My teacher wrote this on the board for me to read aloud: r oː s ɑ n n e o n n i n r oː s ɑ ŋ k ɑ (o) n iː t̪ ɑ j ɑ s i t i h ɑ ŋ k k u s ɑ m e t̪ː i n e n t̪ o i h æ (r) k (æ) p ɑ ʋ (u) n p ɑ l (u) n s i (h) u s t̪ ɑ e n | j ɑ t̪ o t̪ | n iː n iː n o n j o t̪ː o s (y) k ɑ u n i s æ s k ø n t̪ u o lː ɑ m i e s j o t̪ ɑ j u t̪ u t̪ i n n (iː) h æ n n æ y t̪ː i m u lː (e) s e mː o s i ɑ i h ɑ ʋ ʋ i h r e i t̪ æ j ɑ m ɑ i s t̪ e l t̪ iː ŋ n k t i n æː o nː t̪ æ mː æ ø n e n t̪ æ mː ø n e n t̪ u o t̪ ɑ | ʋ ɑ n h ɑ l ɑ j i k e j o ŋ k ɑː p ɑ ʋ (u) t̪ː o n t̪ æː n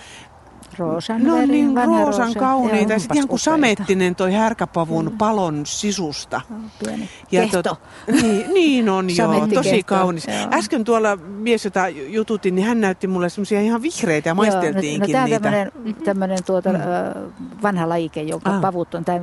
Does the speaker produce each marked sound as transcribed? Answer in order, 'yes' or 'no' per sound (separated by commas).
no, yes, yes, yes, no, no, no, no, yes, yes